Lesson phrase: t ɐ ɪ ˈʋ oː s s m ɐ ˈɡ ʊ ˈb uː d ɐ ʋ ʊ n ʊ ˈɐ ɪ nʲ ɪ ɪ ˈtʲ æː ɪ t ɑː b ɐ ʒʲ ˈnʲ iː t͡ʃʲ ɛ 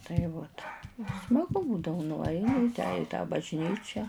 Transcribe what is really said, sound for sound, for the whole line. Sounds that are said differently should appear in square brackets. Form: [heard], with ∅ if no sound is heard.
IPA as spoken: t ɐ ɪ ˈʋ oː [t] s m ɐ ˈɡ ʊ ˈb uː d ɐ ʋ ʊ n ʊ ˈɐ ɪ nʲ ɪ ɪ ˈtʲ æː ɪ t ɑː b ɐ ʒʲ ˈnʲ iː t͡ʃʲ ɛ